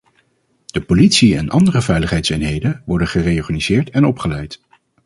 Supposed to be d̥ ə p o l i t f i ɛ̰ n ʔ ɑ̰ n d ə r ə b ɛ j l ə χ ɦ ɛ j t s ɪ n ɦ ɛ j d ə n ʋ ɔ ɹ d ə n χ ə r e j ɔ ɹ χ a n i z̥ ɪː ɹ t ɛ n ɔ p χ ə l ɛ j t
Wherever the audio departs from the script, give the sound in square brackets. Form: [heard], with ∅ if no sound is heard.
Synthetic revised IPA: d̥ ə p o l i t [s] i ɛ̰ n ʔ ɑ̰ n d ə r ə [v] ɛ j l ə χ ɦ ɛ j t s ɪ n ɦ [e] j d ə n ʋ ɔ ɹ d ə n χ ə r e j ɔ ɹ χ a n i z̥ ɪː ɹ t ɛ n ɔ p χ ə l ɛ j t